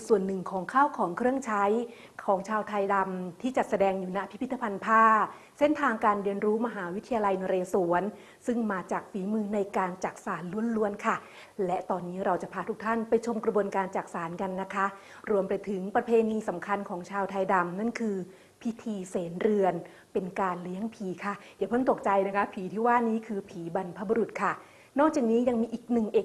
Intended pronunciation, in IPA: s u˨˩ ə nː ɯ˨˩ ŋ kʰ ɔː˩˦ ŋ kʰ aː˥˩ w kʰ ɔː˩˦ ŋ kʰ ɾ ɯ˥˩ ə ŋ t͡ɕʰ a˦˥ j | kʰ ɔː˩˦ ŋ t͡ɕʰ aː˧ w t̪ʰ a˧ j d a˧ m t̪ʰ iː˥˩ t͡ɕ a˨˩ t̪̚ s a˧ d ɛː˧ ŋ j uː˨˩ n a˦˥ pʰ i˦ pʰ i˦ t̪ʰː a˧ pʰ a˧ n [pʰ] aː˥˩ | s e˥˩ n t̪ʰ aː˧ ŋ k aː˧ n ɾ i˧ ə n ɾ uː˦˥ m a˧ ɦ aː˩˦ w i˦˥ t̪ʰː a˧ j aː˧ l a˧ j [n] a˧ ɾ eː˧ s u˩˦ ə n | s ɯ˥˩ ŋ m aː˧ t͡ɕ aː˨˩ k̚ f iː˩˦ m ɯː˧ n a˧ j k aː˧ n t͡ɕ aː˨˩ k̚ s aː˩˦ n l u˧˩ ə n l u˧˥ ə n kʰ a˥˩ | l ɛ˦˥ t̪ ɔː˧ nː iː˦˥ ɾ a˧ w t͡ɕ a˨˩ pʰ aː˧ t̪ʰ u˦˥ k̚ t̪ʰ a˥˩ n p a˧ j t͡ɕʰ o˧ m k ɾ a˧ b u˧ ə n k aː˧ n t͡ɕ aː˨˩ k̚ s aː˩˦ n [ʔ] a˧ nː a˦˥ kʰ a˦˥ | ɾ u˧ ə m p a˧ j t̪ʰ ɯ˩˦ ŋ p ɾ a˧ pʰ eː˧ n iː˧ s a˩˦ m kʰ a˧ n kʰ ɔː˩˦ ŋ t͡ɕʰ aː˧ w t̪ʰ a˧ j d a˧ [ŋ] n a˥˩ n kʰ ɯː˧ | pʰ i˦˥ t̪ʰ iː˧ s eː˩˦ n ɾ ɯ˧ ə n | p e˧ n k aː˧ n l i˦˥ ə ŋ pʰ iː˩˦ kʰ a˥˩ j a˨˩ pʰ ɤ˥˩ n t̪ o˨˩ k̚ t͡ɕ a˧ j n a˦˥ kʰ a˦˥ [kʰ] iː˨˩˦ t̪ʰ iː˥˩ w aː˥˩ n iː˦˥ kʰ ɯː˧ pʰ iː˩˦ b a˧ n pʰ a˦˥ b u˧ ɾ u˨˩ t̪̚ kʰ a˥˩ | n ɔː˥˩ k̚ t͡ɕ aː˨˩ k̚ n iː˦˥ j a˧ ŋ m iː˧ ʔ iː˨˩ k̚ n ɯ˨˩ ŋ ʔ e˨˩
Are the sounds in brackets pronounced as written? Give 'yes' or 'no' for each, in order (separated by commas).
yes, yes, no, no, no